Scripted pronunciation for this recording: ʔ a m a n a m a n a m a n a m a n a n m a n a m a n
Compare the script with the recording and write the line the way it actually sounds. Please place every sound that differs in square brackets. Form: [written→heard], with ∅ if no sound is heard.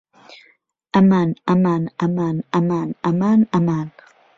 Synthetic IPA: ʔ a m a n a m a n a m a n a m a n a [n→∅] m a n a m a n